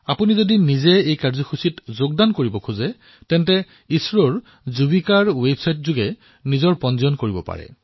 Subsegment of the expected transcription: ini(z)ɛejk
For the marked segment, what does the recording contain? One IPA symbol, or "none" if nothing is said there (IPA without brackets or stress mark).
z